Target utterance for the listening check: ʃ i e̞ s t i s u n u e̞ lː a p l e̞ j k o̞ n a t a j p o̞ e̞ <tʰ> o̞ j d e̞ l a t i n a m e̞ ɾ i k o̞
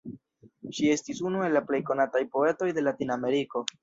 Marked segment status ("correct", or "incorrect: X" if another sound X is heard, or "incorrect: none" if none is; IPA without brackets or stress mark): incorrect: t